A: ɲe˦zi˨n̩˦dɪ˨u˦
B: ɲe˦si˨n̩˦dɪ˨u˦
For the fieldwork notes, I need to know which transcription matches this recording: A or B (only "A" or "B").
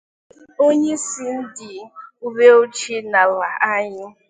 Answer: B